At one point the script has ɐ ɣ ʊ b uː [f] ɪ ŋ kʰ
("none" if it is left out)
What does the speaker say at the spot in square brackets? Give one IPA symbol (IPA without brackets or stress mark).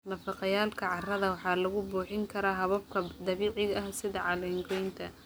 ħ